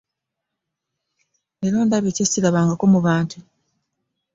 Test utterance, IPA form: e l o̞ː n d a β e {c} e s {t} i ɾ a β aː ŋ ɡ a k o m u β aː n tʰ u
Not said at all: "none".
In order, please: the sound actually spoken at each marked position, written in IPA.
c, c

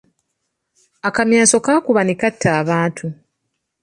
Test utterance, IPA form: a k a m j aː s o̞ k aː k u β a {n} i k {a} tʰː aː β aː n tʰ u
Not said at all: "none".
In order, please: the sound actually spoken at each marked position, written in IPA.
n, a

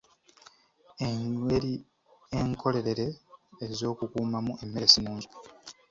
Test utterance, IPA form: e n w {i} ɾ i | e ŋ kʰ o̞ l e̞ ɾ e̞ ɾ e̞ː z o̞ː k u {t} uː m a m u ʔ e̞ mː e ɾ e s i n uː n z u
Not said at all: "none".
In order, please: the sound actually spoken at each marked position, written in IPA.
e, k

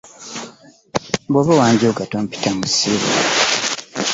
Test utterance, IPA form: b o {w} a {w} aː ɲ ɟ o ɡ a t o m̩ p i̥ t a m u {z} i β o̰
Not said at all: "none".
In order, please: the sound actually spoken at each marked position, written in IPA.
β, w, s

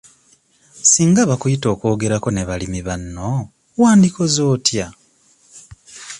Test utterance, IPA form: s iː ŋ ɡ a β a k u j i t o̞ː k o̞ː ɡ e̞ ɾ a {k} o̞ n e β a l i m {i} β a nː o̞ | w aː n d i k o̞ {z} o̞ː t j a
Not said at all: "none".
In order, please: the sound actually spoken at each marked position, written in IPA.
k, i, z

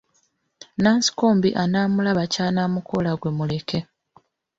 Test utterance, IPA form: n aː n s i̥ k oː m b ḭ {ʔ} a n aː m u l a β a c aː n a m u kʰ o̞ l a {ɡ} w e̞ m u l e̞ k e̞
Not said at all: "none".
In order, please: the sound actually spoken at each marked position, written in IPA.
ʔ, ɡ

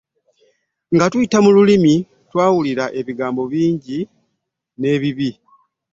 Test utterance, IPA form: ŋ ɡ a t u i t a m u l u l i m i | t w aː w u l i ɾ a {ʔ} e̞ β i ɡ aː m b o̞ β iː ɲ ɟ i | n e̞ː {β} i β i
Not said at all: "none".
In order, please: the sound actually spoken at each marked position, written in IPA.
ʔ, β

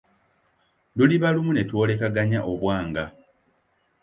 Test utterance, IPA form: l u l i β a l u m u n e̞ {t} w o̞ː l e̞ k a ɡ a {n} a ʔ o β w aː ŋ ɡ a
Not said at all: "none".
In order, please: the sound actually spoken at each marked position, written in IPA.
t, ɲ

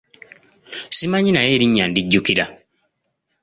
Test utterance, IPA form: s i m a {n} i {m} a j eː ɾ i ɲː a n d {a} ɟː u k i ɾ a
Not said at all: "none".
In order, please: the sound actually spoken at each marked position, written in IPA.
ɲ, n, i

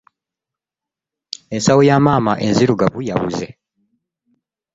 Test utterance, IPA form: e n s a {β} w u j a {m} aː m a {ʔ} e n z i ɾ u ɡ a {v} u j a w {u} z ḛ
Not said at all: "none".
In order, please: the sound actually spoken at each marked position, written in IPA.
none, m, ʔ, β, u

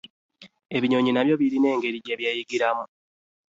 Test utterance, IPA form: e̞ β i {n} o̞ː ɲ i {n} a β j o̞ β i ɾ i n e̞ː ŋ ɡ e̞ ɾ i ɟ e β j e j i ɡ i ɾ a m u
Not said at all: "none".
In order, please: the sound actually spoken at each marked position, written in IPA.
ɲ, n

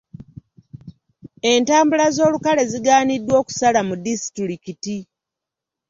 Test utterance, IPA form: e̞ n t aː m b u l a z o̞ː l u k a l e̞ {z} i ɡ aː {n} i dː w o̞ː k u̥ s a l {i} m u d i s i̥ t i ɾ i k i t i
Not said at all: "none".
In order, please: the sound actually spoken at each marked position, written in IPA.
z, n, a

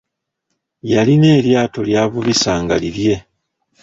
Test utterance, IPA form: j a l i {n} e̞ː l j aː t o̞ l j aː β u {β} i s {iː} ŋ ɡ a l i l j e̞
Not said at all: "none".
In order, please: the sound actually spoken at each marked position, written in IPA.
n, β, aː

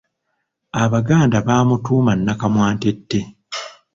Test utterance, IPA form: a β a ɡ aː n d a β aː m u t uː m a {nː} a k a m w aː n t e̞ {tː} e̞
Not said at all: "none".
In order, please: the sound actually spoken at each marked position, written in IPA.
nː, tː

